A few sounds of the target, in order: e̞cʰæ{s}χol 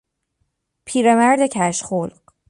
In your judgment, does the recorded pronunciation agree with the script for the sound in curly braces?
no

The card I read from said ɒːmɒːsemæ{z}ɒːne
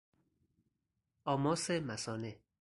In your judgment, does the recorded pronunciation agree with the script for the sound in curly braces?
no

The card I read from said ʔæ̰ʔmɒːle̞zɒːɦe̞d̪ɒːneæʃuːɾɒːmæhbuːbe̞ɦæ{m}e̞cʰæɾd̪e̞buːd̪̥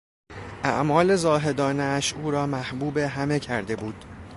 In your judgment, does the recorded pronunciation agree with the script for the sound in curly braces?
yes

